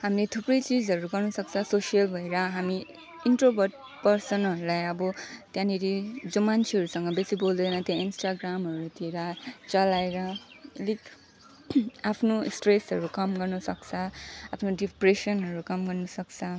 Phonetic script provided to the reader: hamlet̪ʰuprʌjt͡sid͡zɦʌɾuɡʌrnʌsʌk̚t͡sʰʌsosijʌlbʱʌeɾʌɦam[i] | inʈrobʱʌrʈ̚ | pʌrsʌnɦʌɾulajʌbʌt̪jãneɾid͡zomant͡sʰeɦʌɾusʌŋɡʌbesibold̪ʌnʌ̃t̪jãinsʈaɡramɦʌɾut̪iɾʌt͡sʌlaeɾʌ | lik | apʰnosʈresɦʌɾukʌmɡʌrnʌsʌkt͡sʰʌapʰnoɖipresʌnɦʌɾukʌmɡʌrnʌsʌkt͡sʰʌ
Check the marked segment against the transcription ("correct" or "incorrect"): correct